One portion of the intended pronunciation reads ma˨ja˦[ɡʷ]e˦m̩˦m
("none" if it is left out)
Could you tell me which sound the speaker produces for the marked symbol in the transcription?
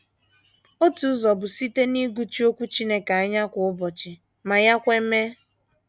kʷ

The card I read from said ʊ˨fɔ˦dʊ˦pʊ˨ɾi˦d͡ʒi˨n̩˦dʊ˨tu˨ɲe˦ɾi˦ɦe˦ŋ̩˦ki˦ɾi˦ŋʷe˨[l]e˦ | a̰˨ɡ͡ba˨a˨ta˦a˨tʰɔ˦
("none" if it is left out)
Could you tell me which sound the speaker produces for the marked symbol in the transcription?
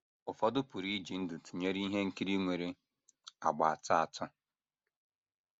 ɾ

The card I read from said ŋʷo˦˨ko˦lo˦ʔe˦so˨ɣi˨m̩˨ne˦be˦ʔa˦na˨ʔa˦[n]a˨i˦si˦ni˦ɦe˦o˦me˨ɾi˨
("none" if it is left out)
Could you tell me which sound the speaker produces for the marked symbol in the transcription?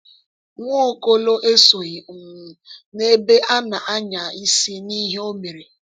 ɲ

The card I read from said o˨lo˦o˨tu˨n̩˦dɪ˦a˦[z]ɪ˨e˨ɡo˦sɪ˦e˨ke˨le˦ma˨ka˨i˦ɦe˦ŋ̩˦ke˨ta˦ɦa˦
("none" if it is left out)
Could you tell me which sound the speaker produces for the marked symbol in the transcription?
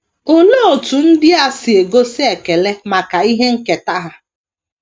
s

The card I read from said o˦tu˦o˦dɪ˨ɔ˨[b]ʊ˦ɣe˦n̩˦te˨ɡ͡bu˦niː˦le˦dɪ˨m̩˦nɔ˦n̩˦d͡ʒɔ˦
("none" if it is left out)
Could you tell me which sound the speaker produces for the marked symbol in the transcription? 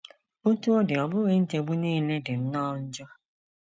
b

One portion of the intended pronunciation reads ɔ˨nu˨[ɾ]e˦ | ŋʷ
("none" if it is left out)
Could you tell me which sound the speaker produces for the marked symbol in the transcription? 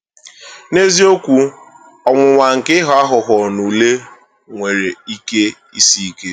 l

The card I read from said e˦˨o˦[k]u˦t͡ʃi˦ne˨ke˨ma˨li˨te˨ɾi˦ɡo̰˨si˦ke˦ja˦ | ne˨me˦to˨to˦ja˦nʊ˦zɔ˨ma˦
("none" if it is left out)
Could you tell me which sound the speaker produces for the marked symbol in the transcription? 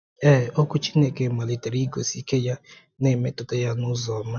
k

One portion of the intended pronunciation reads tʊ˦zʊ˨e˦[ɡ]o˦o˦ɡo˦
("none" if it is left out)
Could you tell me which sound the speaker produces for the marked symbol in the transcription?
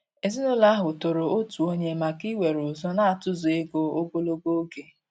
ɡ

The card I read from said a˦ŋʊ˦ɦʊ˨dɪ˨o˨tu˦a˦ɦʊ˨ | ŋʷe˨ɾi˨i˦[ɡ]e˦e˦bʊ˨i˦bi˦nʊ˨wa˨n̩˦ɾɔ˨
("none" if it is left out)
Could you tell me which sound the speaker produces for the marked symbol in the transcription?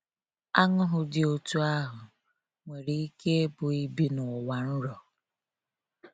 k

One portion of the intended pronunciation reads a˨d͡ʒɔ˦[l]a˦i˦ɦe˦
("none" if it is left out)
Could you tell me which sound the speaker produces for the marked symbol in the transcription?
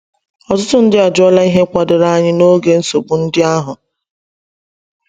l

